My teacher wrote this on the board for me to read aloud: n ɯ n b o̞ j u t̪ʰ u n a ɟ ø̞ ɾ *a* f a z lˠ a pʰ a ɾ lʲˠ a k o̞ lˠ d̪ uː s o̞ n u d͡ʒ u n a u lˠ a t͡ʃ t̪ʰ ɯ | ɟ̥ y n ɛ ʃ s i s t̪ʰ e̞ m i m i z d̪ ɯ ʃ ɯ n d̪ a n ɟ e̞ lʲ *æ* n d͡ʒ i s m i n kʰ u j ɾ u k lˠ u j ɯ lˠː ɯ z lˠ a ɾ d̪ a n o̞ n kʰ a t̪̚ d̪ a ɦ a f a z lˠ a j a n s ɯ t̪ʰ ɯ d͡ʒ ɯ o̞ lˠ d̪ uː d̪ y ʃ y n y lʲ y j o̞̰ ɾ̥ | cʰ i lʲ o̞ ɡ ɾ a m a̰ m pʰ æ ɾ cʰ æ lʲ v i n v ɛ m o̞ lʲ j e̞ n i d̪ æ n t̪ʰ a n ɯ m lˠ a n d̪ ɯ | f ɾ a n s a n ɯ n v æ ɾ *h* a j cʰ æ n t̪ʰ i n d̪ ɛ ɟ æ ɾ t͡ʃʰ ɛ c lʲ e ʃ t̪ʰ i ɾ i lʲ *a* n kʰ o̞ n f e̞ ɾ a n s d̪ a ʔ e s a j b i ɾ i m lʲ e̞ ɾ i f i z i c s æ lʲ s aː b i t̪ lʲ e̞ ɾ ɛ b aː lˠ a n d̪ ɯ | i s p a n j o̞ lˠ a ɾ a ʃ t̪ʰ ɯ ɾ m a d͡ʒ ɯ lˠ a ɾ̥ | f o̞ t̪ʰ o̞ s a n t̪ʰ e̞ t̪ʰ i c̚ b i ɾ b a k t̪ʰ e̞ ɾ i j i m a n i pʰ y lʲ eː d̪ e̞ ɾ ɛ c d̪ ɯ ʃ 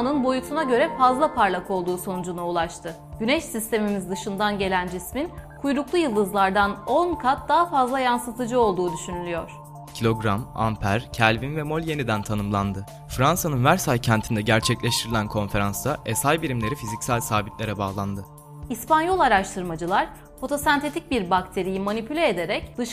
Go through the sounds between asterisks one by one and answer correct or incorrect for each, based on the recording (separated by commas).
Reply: incorrect, correct, incorrect, incorrect